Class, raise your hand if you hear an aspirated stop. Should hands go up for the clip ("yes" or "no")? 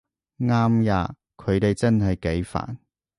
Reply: yes